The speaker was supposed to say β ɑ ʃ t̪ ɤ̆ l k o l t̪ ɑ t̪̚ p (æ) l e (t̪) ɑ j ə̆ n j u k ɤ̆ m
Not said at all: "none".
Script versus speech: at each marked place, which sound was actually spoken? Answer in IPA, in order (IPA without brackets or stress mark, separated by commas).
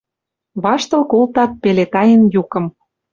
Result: e, t̪